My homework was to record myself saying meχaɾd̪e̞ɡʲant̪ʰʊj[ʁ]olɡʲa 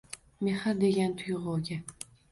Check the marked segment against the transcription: correct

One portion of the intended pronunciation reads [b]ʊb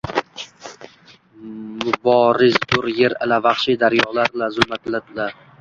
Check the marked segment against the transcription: incorrect: m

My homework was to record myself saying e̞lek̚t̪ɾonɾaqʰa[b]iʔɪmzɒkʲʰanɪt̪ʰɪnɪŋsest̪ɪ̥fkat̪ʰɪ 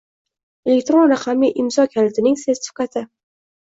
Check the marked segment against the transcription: incorrect: m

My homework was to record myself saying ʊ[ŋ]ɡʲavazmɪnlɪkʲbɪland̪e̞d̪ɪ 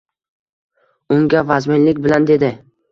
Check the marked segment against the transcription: correct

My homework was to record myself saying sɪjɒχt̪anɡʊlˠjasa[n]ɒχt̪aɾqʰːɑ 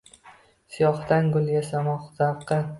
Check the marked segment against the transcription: incorrect: m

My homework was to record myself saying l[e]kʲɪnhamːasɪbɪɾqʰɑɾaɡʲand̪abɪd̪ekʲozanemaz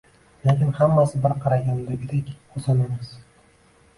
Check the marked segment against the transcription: correct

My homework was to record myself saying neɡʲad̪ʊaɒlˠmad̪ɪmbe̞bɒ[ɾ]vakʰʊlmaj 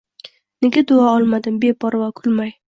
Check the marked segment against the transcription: correct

